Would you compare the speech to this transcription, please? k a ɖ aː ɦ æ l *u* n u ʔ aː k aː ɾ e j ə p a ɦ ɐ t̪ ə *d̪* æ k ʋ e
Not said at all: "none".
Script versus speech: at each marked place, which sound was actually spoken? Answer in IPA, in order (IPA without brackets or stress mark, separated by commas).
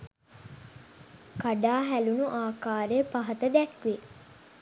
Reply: u, d̪